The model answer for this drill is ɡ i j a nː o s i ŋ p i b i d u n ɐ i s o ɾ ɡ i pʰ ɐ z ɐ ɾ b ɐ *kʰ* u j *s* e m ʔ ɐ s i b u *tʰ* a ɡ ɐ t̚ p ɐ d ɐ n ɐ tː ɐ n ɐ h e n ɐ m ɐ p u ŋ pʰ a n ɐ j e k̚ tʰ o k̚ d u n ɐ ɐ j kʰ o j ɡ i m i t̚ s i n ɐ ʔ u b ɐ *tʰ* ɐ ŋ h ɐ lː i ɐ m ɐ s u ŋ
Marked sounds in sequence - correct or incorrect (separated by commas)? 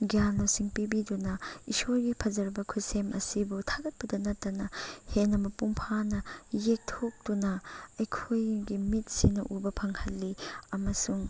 correct, correct, correct, incorrect